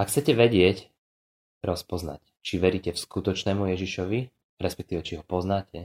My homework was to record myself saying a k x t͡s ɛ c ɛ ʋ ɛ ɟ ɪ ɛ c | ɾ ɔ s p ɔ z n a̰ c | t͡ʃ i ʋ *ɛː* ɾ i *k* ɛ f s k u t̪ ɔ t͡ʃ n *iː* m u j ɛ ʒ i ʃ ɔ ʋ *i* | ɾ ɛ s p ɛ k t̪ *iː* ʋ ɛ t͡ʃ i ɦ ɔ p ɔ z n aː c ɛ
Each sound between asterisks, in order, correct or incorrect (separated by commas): incorrect, incorrect, incorrect, correct, correct